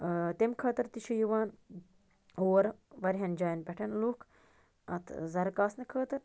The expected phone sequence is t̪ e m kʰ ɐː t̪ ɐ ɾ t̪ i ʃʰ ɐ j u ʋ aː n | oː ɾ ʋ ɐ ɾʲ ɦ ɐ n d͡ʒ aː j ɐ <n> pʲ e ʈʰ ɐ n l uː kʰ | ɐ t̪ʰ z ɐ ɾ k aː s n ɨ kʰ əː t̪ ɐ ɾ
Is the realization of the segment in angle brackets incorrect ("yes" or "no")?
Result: no